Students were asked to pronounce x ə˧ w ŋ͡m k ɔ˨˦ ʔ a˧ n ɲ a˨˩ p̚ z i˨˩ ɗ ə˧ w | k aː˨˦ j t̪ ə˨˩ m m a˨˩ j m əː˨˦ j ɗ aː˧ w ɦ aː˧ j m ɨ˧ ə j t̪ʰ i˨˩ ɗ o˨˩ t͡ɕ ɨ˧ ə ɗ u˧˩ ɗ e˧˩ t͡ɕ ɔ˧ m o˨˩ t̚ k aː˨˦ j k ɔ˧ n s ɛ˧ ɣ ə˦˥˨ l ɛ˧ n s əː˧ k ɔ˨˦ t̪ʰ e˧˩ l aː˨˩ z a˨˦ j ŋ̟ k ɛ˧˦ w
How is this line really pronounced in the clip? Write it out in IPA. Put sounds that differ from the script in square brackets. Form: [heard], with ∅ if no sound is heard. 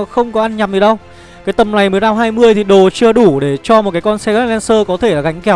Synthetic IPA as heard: x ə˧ w ŋ͡m k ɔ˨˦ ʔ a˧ n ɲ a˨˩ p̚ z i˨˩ ɗ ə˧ w | k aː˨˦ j t̪ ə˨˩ m [n] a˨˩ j m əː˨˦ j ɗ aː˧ w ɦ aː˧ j m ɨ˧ ə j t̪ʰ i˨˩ ɗ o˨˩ t͡ɕ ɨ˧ ə ɗ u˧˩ ɗ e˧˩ t͡ɕ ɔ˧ m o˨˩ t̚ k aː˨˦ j k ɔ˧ n s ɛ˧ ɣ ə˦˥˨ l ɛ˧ n s əː˧ k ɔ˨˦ t̪ʰ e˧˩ l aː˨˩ [ɣ] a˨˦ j ŋ̟ k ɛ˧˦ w